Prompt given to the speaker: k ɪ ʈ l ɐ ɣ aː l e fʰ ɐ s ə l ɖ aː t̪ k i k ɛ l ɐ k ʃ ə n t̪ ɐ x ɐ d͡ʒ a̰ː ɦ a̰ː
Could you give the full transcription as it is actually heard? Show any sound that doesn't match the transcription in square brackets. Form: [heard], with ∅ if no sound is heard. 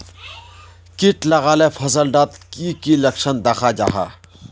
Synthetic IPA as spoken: k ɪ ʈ l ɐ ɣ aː l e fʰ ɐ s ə l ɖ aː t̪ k i k [i] l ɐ k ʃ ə n [d̪] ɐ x [a] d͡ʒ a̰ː ɦ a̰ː

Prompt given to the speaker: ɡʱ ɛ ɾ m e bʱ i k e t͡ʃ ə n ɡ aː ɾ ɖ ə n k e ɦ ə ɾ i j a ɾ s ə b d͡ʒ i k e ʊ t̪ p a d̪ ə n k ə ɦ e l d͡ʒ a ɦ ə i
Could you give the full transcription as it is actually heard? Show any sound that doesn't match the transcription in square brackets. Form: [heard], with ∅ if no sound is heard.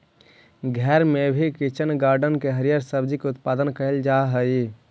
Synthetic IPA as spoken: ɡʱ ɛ ɾ m e bʱ i k [i] t͡ʃ ə n ɡ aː ɾ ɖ ə n k e ɦ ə ɾ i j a ɾ s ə b d͡ʒ i k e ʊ t̪ p a d̪ ə n k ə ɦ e l d͡ʒ a ɦ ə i

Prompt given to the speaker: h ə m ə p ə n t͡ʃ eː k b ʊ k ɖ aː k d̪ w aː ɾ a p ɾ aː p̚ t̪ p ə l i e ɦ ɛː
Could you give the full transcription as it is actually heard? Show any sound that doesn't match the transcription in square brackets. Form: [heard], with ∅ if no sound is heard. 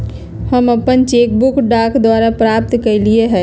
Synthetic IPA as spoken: h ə m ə p ə n t͡ʃ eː k b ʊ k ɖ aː k d̪ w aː ɾ a p ɾ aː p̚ t̪ [k] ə l i e ɦ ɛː

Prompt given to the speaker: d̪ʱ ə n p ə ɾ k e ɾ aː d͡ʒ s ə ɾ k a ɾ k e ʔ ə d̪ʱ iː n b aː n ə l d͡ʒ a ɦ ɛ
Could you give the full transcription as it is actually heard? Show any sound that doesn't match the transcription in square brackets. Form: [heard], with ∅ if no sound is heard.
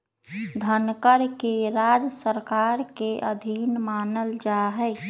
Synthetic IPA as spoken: d̪ʱ ə n [k] ə ɾ k e ɾ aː d͡ʒ s ə ɾ k a ɾ k e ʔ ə d̪ʱ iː n [m] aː n ə l d͡ʒ a ɦ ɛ

